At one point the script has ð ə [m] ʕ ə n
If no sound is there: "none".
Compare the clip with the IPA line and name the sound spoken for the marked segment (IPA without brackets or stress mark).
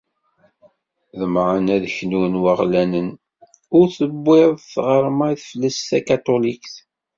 m